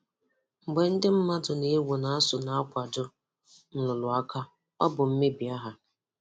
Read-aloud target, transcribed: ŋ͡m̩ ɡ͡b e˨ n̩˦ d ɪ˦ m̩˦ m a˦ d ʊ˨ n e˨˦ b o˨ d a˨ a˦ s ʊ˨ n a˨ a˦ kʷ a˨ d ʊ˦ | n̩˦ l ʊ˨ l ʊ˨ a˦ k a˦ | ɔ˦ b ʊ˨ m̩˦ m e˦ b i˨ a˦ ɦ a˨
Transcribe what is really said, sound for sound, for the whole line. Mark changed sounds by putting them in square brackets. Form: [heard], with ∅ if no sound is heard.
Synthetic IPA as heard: ŋ͡m̩ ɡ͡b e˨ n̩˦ d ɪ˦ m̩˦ m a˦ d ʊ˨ n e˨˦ [w] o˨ [n] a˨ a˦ s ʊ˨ n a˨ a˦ kʷ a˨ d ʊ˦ | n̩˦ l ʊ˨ l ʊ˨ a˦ k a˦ | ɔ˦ b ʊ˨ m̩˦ m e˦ b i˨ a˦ ɦ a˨